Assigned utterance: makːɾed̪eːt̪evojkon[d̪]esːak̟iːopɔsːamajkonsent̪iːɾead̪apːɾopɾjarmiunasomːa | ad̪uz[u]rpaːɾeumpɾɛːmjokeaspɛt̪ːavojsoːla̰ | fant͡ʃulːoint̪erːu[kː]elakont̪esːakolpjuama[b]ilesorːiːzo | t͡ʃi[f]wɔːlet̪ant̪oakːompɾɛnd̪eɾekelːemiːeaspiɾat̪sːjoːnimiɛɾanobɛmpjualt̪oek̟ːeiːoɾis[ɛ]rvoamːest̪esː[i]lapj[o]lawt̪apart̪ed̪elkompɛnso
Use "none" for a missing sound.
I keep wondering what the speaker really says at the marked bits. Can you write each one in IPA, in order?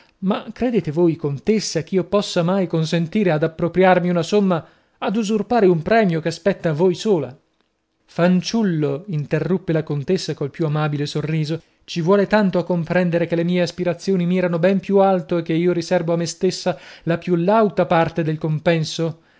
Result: t̪, u, pː, b, v, ɛ, a, u

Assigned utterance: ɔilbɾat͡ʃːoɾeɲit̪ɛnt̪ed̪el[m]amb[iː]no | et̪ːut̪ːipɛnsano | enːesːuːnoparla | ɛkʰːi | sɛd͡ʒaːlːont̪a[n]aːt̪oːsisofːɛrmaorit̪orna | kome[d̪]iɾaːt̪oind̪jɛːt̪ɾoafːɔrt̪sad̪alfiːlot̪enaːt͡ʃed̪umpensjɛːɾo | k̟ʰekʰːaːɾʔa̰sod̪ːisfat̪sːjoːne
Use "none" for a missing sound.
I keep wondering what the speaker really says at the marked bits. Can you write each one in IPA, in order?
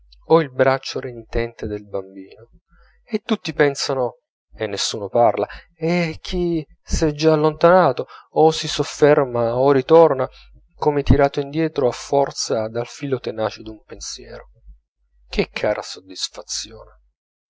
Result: b, iː, n, t̪

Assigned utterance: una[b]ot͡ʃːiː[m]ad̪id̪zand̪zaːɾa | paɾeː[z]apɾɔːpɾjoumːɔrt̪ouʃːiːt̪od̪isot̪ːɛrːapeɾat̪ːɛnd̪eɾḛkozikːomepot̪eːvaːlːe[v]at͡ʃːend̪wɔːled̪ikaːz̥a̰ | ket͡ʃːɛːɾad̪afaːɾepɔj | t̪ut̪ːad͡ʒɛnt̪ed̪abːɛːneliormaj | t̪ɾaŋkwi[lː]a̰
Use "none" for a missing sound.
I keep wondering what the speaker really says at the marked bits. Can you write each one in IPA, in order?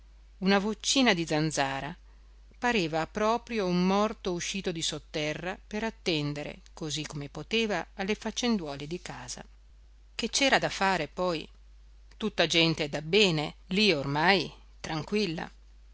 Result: v, n, v, f, lː

